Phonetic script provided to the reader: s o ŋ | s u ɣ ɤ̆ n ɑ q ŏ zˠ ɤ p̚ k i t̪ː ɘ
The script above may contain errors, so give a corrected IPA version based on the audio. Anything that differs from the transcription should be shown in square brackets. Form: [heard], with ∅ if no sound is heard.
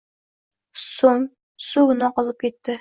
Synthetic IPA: s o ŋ | s u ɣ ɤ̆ n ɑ q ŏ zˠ ɤ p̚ k i t̪ː ɘ